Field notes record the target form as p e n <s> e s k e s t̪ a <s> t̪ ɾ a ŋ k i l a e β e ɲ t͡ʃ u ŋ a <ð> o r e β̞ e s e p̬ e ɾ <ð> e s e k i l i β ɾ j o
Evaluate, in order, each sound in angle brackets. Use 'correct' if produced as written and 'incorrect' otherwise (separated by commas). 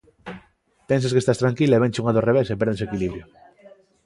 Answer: correct, correct, correct, correct